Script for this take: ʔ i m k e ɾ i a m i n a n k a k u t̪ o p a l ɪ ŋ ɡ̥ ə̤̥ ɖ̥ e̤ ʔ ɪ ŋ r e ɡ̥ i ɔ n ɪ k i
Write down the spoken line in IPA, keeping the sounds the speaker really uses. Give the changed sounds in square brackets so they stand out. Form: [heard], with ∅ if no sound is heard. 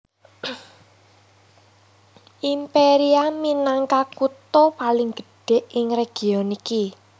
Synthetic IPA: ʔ i m [p] e ɾ i a m i n a [ŋ] k a k u t̪ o p a l ɪ ŋ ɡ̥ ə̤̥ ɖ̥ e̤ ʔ ɪ ŋ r e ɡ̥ i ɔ n [i] k i